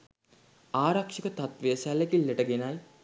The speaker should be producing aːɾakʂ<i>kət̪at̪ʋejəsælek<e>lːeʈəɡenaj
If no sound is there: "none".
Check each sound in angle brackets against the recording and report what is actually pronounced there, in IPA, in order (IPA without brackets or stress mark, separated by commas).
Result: i, i